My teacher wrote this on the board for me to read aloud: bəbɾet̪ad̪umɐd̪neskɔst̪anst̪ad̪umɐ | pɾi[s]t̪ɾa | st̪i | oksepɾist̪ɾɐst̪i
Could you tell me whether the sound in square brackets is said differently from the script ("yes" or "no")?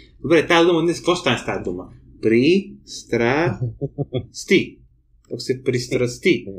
no